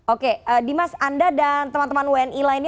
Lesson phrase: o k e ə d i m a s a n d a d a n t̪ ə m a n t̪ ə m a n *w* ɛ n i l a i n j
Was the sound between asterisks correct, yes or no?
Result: yes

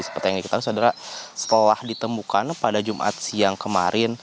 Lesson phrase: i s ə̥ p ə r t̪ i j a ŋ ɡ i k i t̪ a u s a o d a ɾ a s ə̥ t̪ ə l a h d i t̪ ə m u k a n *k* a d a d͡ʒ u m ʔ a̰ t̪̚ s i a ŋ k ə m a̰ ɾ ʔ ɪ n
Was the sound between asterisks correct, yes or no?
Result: no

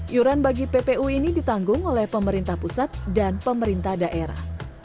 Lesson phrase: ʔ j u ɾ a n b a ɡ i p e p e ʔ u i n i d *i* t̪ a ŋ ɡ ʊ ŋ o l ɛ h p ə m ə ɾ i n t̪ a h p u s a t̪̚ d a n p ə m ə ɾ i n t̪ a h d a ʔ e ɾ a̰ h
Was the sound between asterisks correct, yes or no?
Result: yes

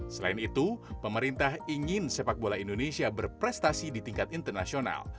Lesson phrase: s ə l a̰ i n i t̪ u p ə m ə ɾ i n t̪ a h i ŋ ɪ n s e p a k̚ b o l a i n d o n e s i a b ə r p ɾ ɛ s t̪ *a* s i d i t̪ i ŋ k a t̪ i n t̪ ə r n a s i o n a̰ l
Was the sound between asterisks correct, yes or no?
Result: yes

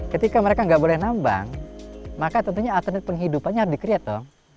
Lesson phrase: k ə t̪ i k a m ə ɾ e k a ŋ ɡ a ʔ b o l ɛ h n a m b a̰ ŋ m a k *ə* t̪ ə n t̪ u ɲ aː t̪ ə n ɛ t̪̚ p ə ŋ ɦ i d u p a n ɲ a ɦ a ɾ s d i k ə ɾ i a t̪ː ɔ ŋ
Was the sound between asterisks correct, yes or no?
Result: no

